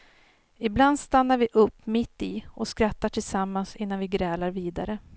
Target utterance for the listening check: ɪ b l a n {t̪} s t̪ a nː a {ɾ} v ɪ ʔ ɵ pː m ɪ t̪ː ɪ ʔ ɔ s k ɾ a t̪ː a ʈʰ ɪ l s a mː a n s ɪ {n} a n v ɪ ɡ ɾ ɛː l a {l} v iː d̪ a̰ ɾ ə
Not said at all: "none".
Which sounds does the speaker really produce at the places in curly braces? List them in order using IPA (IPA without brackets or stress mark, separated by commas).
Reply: d̪, ɾ, nː, ɾ